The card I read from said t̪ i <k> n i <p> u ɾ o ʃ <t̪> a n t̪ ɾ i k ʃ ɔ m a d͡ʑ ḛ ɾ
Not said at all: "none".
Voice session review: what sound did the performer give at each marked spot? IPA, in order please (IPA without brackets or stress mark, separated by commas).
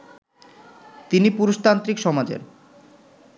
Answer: none, p, t̪